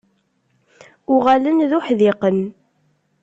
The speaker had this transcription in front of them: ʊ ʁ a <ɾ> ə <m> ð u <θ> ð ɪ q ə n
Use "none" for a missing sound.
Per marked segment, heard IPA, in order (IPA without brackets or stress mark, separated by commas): l, n, ħ